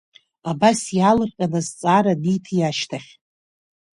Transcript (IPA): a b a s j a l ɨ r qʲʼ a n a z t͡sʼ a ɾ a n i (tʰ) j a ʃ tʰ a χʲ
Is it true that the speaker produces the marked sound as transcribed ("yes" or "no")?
yes